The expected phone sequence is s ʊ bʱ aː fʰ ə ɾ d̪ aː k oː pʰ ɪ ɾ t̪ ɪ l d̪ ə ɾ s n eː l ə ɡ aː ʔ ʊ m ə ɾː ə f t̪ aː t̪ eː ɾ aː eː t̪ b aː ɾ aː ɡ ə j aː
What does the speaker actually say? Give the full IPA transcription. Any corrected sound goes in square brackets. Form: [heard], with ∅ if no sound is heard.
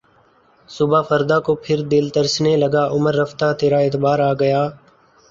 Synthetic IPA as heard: s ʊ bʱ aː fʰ ə ɾ d̪ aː k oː pʰ ɪ ɾ [d̪] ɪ l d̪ ə ɾ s n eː l ə ɡ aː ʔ ʊ m ə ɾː ə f t̪ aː t̪ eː ɾ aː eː t̪ b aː ɾ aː ɡ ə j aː